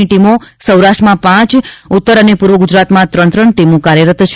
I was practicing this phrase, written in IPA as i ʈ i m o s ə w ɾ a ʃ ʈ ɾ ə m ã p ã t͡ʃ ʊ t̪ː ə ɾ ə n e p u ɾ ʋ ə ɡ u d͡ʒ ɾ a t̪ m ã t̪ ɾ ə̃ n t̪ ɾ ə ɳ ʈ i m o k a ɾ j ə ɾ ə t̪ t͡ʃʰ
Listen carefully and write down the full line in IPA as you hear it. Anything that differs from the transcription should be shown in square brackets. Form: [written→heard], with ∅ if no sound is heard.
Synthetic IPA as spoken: i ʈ i m o s ə w ɾ a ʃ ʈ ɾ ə m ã p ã t͡ʃ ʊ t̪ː ə ɾ ə n e p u ɾ ʋ ə ɡ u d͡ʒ ɾ a t̪ m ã t̪ ɾ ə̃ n t̪ ɾ ə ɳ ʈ i m o k a ɾ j ə ɾ ə t̪ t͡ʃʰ